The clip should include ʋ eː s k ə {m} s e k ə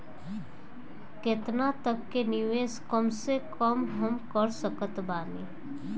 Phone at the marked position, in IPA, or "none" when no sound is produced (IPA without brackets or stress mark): m